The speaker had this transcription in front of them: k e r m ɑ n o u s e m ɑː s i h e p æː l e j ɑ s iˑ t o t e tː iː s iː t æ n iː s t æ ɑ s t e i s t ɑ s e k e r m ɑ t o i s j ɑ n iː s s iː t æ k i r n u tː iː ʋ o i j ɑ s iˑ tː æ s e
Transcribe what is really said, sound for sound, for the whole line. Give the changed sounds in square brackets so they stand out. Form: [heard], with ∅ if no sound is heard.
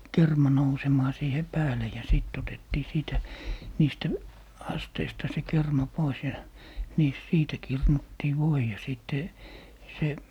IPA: k e r m ɑ n o u s e m ɑː s [iː] h e p æː l e j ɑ s iˑ t o t e tː iː s iː t æ n iː s t æ ɑ s t e i s t ɑ s e k e r m ɑ [p] o i s j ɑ n iː s s iː t æ k i r n u tː iː ʋ o i j ɑ s iˑ tː [e] s e